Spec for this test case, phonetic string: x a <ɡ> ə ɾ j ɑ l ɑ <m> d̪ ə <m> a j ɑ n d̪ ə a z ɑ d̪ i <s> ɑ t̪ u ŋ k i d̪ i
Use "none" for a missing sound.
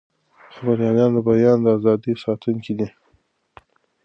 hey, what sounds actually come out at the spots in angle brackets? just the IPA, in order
b, n, b, s

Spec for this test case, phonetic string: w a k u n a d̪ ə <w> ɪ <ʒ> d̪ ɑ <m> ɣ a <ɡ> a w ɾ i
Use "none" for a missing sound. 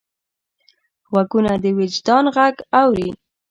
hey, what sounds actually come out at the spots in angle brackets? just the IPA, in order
w, d͡ʒ, n, ɡ

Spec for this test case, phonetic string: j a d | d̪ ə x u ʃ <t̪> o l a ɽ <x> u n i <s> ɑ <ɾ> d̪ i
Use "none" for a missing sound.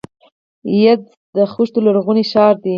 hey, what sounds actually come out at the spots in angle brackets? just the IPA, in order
t̪, ɣ, ʃ, ɾ

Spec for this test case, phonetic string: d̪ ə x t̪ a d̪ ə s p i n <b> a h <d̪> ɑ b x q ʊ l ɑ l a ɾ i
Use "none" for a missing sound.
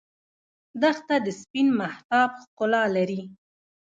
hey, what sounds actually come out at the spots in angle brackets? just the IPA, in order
m, t̪

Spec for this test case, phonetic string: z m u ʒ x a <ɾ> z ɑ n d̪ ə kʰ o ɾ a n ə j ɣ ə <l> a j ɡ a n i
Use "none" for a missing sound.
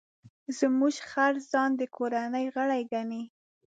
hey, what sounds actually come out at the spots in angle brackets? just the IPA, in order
ɾ, ɽ

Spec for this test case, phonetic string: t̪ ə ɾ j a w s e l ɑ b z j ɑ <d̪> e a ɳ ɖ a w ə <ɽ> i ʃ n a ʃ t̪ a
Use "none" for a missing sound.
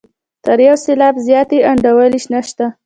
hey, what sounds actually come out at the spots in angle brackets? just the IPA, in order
t̪, l

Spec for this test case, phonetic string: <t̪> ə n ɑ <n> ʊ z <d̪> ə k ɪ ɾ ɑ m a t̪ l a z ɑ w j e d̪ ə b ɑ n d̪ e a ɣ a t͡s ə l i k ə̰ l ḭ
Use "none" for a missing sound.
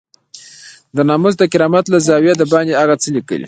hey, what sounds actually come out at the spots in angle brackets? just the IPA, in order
d̪, m, d̪

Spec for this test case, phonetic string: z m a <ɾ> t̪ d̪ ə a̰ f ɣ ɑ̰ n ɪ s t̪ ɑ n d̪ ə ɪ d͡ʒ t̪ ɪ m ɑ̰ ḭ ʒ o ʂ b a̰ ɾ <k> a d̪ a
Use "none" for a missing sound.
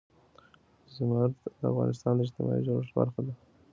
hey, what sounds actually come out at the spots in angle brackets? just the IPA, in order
ɾ, x

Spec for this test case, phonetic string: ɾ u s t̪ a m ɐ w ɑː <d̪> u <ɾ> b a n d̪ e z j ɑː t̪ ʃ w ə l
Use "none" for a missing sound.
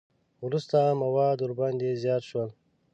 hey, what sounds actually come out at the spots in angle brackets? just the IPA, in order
d̪, ɾ

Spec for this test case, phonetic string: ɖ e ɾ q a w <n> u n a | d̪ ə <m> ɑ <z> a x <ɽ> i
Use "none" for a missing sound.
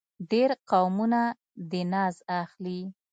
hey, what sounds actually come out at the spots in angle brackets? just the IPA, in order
m, n, z, l

